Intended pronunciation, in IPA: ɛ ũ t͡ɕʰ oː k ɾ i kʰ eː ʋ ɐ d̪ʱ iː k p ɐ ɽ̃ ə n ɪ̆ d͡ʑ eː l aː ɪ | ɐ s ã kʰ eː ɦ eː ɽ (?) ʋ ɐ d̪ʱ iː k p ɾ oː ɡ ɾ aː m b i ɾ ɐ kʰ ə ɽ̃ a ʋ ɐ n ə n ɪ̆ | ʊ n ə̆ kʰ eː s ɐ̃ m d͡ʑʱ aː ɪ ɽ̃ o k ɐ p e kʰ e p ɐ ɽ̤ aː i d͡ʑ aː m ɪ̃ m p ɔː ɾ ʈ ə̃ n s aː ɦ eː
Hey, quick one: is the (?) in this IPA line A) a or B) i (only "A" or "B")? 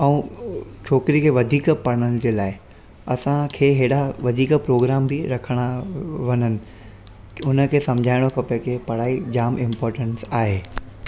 A